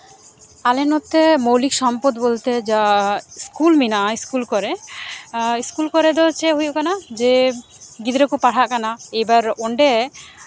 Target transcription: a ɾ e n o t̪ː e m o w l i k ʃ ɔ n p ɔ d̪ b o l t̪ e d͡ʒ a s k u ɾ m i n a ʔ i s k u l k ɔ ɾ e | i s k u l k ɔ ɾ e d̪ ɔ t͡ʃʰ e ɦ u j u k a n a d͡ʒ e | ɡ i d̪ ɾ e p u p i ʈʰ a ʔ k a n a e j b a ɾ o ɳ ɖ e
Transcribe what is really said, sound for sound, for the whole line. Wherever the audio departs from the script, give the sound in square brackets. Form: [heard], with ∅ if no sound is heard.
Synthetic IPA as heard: a [l] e n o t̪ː e m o w l i k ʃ ɔ [m] p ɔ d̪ b o l t̪ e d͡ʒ a s k u [l] m i n a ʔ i s k u l k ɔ ɾ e | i s k u l k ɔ ɾ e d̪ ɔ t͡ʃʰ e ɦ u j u k a n a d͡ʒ e | ɡ i d̪ ɾ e [k] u p [a] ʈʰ a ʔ k a n a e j b a ɾ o ɳ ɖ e